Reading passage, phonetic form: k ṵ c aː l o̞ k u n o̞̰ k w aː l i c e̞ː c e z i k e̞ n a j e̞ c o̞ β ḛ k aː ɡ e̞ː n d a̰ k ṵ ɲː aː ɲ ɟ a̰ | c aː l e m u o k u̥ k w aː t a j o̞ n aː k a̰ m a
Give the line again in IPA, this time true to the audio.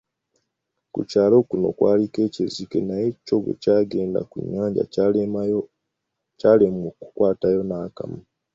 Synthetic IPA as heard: k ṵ c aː l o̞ k u n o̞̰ k w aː l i k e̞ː c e z i k e̞ n a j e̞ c o̞ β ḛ c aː ɡ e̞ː n d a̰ k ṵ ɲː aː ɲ ɟ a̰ | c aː l e m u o k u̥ k w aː t a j o̞ n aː k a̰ m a